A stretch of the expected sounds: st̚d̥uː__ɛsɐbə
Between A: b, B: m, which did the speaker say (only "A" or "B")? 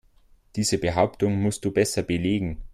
A